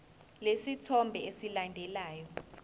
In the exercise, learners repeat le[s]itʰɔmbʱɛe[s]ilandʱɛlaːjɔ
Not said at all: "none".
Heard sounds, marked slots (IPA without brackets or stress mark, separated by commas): s, s